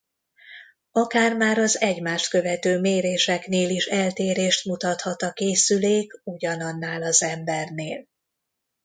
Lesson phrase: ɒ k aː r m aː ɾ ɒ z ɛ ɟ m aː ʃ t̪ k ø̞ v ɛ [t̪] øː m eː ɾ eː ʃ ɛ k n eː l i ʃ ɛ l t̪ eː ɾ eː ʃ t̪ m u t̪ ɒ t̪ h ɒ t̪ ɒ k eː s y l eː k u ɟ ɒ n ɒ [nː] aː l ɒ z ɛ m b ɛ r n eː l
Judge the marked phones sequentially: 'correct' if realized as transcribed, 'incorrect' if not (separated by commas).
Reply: correct, correct